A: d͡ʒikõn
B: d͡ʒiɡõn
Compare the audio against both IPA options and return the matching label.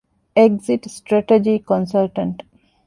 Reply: A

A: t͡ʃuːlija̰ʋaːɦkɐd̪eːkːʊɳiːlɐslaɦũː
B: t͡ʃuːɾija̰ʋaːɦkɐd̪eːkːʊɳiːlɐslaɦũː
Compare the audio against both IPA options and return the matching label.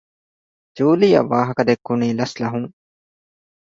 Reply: A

